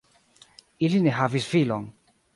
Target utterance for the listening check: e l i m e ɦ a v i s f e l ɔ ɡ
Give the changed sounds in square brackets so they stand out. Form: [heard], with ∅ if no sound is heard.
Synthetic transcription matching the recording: [i] l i [n] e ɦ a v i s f [i] l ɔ [ŋ]

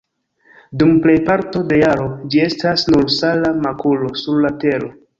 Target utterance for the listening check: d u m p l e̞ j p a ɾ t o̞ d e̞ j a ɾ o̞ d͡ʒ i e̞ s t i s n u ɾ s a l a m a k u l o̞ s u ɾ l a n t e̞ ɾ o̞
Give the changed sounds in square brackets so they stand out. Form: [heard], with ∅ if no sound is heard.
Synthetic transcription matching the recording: d u m p l e̞ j p a ɾ t o̞ d e̞ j a ɾ o̞ d͡ʒ i e̞ s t [a] s n u ɾ s a l a m a k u l o̞ s u ɾ l a [∅] t e̞ ɾ o̞

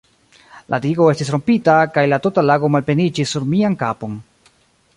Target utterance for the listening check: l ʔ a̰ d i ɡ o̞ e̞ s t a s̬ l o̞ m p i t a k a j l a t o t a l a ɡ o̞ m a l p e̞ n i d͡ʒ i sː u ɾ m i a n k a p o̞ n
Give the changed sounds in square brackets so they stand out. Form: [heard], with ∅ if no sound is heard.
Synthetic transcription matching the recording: l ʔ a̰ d i ɡ o̞ e̞ s t [i] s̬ [ɾ] o̞ m p i t a k a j l a t o t a l a ɡ o̞ m a l p e̞ n i d͡ʒ i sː u ɾ m i a n k a p o̞ n

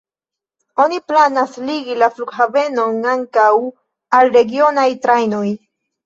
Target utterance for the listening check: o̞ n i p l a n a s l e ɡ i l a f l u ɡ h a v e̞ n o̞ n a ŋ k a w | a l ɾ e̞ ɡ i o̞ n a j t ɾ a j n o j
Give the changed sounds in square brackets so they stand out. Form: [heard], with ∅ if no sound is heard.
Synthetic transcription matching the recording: o̞ n i p l a n a s l [i] ɡ i l a f l u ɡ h a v e̞ n o̞ n a ŋ k a w | a l ɾ e̞ ɡ i o̞ n a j t ɾ a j n o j

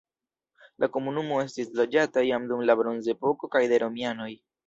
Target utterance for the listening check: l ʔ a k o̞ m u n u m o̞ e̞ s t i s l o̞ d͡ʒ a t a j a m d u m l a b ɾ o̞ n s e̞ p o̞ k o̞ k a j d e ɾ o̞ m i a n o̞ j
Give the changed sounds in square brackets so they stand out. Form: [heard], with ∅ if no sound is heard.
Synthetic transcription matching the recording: l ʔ a k o̞ m u n u m o̞ e̞ s t i s l o̞ d͡ʒ a t a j a m d u m l a b ɾ o̞ n [z] e̞ p o̞ k o̞ k a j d e ɾ o̞ m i a n o̞ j

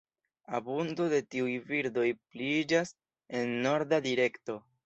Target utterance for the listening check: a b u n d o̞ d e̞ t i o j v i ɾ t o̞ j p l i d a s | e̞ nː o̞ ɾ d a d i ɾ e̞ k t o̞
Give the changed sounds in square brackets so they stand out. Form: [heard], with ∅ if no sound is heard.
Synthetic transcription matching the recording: a b u n d o̞ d e̞ t i [u] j v i ɾ [d] o̞ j p l i [d͡ʒ] a s | e̞ nː o̞ ɾ d a d i ɾ e̞ k t o̞

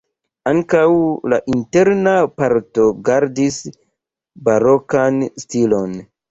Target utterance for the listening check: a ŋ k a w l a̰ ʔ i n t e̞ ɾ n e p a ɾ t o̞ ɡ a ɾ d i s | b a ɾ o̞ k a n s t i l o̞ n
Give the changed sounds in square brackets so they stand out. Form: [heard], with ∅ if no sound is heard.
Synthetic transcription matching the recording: a ŋ k a w l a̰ ʔ i n t e̞ ɾ n [a] p a ɾ t o̞ ɡ a ɾ d i s | b a ɾ o̞ k a n s t i l o̞ n

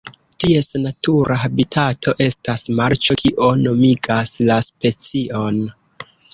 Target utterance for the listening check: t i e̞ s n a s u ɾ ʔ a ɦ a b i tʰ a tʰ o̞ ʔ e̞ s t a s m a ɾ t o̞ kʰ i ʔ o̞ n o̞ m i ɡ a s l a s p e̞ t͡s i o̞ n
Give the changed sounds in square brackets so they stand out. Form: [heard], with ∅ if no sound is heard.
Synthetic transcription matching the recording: t i e̞ s n a [t] u ɾ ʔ a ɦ a b i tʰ a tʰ o̞ ʔ e̞ s t a s m a ɾ [t͡ʃ] o̞ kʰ i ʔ o̞ n o̞ m i ɡ a s l a s p e̞ t͡s i o̞ n

